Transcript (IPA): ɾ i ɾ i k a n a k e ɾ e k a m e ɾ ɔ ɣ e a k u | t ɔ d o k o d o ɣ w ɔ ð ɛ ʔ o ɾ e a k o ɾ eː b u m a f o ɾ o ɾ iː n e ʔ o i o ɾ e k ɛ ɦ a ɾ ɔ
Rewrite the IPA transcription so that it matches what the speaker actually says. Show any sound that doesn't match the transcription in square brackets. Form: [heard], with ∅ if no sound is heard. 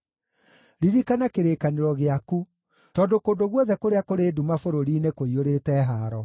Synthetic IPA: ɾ i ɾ i k a n a k e ɾ e k a [n] e ɾ ɔ ɣ e a k u | t ɔ d o k o d o ɣ w ɔ ð ɛ [k] o ɾ e a k o ɾ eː [d] u m a f o ɾ o ɾ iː n e [k] o i o ɾ e [t] ɛ ɦ a ɾ ɔ